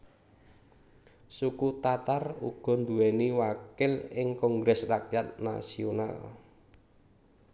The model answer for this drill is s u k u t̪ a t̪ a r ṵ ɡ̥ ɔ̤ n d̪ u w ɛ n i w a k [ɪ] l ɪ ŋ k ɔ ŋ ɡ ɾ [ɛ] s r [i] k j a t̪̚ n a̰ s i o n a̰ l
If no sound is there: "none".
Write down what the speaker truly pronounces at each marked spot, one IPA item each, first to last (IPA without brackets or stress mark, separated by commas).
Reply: ɪ, ɛ, a